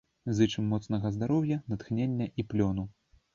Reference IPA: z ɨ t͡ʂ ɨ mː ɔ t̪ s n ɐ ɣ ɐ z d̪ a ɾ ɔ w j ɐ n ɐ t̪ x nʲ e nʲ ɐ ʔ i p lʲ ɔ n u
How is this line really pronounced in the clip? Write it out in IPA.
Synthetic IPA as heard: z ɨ t͡ʂ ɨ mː ɔ t̪ s n ɐ ɣ ɐ z d̪ a ɾ ɔ w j ɐ n ɐ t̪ x nʲ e nʲː ɐ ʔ i p lʲ ɔ n u